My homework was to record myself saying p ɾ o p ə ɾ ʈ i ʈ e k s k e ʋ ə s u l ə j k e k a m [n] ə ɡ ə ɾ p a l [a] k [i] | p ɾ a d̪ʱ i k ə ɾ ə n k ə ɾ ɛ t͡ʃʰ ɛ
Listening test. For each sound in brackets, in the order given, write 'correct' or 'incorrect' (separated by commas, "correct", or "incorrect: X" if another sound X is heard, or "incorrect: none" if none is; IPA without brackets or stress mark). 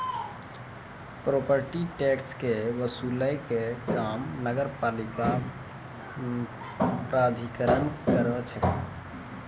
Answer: correct, incorrect: i, incorrect: a